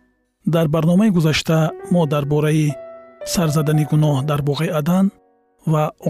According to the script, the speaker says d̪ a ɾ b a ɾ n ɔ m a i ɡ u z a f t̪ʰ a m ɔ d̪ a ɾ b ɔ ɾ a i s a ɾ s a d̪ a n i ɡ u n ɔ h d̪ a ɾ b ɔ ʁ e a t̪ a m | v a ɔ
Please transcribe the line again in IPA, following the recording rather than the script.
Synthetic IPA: d̪ a ɾ b a ɾ n ɔ m a i ɡ u z a ʃ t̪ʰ a m ɔ d̪ a ɾ b ɔ ɾ a i s a ɾ z a d̪ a n i ɡ u n ɔ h d̪ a ɾ b ɔ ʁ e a d̪ a n | v a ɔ